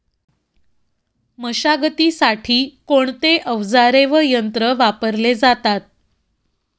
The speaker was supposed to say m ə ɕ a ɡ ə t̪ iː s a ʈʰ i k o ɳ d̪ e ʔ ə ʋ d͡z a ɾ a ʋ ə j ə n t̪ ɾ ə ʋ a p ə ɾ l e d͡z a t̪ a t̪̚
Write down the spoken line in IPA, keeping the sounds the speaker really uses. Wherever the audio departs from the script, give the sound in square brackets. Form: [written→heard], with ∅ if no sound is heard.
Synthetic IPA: m ə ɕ a ɡ ə t̪ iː s a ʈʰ [i→iː] k o ɳ [d̪→t̪] e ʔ ə ʋ d͡z a ɾ [a→e] ʋ ə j ə n t̪ ɾ ə ʋ a p ə ɾ l e d͡z a t̪ a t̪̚